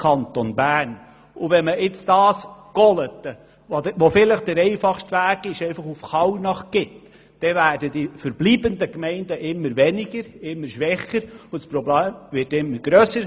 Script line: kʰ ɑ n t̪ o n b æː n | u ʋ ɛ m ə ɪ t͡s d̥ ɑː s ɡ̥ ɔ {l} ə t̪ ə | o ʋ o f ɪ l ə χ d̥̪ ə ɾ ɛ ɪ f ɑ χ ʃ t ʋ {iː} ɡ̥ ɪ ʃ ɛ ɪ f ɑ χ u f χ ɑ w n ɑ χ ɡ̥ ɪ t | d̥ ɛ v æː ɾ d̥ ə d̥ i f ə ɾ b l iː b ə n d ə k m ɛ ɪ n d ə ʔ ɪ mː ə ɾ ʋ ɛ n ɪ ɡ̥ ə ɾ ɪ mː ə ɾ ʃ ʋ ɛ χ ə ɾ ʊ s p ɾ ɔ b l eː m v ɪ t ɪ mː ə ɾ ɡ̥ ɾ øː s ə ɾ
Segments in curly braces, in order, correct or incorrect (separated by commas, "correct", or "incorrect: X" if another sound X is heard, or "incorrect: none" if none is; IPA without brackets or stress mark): correct, incorrect: æː